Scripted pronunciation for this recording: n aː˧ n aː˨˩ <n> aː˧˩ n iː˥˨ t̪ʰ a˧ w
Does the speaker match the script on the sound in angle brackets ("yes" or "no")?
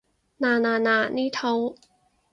yes